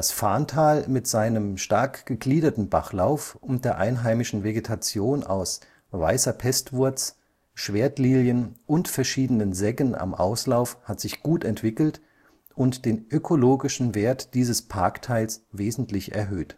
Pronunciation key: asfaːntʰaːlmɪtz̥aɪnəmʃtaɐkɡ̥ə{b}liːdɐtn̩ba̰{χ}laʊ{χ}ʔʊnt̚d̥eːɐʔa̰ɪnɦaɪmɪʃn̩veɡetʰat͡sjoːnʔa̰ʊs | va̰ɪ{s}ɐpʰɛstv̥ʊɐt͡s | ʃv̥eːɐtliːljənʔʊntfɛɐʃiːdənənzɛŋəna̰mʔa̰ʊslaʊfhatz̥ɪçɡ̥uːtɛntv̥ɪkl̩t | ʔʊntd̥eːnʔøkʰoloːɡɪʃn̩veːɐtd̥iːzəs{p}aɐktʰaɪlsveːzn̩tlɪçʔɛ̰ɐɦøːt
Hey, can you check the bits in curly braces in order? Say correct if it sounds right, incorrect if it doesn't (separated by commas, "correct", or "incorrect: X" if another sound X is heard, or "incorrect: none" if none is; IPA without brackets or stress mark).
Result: incorrect: ɡ, correct, incorrect: f, correct, incorrect: pʰ